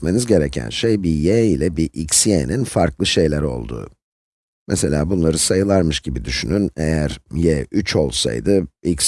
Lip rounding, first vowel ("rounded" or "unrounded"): unrounded